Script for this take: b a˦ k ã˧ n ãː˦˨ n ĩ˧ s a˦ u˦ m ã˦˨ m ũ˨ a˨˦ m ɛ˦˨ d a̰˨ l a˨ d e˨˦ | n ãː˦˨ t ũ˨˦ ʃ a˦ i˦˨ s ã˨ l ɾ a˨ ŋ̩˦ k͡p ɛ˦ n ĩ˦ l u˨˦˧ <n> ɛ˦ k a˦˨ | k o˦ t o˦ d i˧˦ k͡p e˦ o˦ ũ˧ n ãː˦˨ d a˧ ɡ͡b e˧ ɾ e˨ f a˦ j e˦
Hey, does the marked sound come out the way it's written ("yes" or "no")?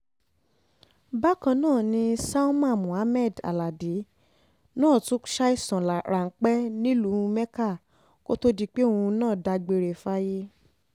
no